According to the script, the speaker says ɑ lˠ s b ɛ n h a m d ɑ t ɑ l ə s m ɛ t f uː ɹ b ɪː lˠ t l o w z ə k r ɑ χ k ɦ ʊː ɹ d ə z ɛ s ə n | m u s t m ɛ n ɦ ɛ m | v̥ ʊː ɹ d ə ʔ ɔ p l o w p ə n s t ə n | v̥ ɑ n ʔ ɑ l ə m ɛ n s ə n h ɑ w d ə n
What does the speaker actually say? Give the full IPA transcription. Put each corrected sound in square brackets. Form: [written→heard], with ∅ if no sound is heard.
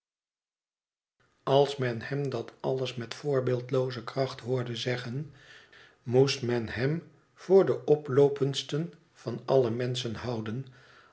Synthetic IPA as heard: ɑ lˠ s [b→m] ɛ n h [a→ɛ] m d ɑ t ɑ l ə s m ɛ t f [uː→ʊː] ɹ b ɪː lˠ t l o w z ə k r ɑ χ [k→t] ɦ ʊː ɹ d ə z ɛ [s→χ] ə n | m u s t m ɛ n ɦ ɛ m | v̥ ʊː ɹ d ə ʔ ɔ p l o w p ə n s t ə n | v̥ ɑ n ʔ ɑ l ə m ɛ n s ə n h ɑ w d ə n